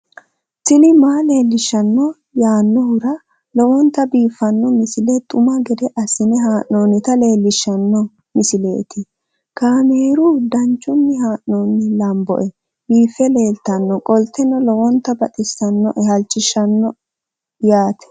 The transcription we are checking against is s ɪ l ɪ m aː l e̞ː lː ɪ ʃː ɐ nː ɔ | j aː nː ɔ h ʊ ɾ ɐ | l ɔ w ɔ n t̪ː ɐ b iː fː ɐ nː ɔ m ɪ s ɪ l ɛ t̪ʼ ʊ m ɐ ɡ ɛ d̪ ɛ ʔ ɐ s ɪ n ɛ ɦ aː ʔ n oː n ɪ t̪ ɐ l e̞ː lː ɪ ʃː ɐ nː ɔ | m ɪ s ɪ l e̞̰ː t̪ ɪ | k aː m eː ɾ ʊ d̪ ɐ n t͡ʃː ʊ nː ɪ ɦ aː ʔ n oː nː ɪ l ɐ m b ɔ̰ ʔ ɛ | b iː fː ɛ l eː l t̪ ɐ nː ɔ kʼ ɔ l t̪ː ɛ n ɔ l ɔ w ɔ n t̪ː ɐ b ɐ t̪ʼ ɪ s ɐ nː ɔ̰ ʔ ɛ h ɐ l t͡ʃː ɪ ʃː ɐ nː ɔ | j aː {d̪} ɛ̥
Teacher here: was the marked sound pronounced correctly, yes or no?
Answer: no